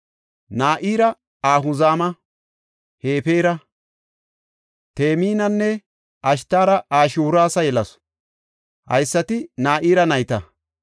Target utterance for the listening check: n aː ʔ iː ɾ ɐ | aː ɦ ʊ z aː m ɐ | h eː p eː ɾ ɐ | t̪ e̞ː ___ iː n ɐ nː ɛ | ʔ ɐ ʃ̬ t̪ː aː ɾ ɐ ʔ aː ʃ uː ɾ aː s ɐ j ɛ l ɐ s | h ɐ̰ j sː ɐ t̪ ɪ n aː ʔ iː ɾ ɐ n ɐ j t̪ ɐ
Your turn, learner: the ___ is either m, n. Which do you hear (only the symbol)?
m